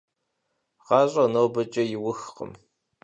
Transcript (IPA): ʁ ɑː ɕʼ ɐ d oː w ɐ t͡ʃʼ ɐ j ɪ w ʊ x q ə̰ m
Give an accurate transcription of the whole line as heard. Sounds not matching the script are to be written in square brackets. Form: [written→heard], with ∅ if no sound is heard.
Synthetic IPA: ʁ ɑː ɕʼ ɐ [d→n] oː [w→b] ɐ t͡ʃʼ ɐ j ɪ w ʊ x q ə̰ m